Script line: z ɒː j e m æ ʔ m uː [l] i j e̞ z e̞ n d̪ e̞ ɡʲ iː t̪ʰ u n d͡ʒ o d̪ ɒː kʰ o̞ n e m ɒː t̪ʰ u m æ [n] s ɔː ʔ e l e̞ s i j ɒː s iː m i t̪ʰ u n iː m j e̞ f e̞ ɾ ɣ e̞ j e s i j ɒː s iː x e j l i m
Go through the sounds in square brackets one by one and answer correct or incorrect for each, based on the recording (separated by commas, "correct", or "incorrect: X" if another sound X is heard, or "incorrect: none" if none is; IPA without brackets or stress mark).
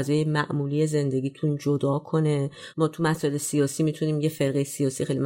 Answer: correct, incorrect: none